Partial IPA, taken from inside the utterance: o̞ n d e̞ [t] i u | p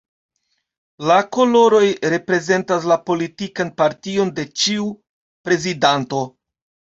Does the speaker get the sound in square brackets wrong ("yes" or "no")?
yes